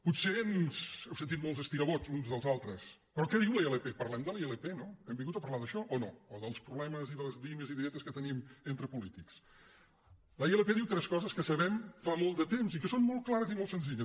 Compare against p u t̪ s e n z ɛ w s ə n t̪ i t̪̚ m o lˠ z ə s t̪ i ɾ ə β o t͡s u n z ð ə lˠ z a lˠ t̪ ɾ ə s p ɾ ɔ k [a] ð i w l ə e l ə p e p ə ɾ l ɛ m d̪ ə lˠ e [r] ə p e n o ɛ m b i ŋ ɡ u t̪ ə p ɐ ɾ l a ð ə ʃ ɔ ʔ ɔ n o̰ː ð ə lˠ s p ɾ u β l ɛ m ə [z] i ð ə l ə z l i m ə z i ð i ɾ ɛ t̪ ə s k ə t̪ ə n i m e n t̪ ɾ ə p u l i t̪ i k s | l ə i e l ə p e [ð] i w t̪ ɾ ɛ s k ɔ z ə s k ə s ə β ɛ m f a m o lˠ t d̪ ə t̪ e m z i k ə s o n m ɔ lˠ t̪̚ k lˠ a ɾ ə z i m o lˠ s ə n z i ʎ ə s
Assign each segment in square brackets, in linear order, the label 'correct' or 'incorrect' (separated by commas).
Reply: incorrect, incorrect, correct, correct